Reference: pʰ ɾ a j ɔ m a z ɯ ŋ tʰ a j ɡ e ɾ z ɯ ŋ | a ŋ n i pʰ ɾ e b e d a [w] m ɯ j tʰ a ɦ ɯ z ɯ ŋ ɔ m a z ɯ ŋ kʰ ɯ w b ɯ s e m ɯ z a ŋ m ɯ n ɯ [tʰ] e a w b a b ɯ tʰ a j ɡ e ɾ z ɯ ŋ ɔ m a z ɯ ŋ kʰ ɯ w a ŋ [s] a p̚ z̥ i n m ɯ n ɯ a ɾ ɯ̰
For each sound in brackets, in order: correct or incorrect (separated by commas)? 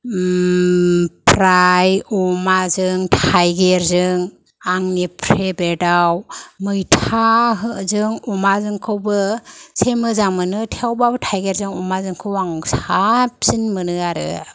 correct, correct, correct